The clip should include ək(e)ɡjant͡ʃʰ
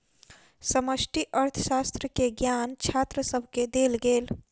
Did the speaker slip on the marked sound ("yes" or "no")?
no